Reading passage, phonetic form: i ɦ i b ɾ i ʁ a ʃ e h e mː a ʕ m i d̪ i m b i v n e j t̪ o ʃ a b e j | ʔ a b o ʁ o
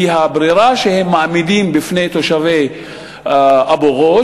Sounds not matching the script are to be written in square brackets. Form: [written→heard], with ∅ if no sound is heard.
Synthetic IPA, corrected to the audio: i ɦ [i→a] b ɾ i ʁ a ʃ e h e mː a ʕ m i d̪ i m b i [v→f] n e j t̪ o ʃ a [b→v] e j | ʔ a b o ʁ o